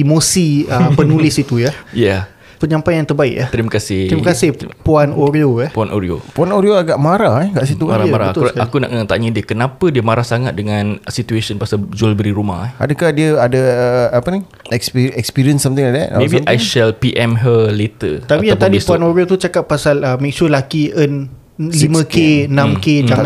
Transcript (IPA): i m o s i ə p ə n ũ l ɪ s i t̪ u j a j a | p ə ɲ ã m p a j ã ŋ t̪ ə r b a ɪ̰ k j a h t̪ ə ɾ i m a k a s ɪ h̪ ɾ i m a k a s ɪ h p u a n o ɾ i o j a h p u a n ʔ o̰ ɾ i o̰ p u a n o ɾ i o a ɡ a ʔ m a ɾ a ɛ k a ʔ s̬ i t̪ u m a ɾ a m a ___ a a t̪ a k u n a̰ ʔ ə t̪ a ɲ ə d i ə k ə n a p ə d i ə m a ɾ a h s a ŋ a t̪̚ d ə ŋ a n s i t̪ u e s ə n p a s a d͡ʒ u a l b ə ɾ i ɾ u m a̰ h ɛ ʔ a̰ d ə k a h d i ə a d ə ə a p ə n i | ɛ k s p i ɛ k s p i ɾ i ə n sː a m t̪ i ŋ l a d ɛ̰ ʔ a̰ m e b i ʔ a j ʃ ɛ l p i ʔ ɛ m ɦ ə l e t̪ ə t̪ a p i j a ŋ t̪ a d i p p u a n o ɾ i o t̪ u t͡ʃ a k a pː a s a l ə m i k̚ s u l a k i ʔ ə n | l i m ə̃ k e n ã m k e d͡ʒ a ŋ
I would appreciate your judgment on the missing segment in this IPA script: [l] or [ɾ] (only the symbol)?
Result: ɾ